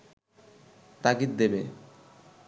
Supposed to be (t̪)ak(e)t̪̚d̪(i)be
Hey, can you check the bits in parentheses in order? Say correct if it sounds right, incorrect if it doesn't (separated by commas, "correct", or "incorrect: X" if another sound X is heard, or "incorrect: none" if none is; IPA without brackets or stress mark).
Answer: correct, incorrect: i, incorrect: e